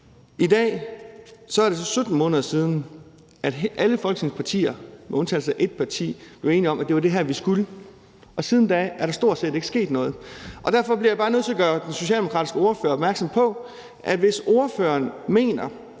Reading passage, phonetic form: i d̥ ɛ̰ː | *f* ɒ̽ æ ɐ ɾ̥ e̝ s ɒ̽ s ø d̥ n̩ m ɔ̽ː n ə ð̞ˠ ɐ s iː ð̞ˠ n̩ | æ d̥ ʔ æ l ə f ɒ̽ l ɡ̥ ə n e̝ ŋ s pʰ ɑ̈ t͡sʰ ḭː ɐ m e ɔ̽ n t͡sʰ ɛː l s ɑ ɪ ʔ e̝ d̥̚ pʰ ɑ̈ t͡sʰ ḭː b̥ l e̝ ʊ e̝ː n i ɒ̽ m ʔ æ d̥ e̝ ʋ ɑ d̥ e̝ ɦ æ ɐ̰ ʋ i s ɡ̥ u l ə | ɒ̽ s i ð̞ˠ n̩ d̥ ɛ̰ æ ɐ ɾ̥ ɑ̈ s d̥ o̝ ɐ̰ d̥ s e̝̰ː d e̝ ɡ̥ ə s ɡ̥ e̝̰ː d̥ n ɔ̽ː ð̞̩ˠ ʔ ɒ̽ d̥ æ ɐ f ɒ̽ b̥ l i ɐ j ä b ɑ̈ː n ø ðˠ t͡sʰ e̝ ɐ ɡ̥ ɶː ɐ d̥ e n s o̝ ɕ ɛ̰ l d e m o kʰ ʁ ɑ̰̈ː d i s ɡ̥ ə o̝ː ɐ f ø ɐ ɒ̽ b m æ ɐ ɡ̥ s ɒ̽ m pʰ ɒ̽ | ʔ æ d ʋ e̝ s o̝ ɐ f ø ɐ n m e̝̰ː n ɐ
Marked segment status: incorrect: s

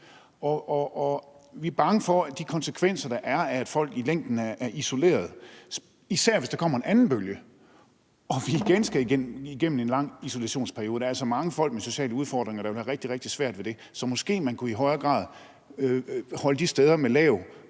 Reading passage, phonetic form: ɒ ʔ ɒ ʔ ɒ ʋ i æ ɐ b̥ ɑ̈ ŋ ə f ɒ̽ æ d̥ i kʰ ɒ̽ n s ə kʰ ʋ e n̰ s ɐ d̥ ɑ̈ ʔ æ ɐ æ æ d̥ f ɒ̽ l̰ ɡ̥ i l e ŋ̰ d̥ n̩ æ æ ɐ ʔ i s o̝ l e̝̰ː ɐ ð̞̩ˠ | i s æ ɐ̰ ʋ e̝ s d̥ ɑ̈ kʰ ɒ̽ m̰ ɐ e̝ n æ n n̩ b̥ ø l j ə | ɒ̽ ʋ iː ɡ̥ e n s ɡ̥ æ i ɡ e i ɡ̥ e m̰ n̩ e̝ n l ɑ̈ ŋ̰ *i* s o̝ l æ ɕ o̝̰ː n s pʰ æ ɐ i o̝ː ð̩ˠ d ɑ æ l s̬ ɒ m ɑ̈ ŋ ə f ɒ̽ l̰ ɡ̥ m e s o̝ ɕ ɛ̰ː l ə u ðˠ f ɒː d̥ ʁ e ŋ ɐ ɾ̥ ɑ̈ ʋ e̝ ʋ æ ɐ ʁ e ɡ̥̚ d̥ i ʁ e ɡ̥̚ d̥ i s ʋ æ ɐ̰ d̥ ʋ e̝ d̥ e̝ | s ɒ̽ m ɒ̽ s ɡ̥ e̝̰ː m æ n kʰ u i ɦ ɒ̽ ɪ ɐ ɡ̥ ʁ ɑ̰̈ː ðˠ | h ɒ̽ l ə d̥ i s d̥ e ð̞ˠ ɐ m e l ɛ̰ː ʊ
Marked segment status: correct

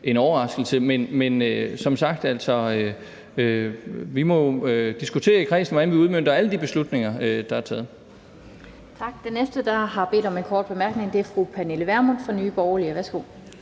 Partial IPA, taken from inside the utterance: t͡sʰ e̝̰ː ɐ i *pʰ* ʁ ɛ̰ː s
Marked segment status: incorrect: kʰ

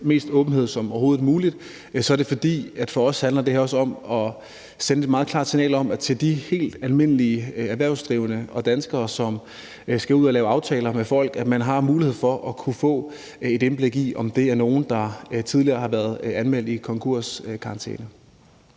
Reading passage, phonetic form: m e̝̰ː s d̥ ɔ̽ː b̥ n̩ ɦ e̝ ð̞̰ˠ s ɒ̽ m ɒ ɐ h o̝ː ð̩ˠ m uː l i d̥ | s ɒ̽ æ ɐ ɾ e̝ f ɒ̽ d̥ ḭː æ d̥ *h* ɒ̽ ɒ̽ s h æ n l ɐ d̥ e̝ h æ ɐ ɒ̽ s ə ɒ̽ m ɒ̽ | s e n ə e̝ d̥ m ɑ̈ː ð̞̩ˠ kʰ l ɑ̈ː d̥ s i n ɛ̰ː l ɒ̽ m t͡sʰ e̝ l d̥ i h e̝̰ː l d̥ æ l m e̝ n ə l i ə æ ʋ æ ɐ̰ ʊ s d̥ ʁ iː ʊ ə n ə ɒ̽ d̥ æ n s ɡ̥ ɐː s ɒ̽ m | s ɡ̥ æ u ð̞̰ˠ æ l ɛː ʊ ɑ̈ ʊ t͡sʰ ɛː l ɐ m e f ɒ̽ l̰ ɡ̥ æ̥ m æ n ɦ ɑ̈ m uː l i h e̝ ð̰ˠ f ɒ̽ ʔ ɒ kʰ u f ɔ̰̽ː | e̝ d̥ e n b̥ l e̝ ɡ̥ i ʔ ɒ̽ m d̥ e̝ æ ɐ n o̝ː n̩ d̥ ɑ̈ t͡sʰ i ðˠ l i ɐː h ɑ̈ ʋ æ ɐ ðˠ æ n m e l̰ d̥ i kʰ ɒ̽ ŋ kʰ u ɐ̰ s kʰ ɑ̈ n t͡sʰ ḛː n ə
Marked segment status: incorrect: f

